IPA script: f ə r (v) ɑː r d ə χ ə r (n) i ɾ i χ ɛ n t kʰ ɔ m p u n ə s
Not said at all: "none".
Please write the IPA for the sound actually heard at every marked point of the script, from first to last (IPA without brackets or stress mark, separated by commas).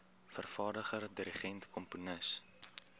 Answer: f, d